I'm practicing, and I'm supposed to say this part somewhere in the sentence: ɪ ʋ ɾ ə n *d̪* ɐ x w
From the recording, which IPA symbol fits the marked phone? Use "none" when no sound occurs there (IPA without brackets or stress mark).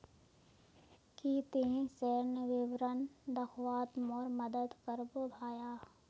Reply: d̪